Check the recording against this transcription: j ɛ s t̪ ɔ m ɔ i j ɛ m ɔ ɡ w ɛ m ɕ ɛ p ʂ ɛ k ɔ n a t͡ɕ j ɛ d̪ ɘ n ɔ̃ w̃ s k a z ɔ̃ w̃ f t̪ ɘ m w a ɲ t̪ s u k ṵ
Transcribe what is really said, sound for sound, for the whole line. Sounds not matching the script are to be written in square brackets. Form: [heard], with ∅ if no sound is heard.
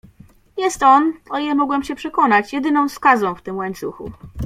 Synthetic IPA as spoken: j ɛ s t̪ ɔ [n] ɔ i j ɛ m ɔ ɡ w ɛ m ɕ ɛ p ʂ ɛ k ɔ n a t͡ɕ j ɛ d̪ ɘ n ɔ̃ w̃ s k a z ɔ̃ w̃ f t̪ ɘ m w a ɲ t̪ s u [x] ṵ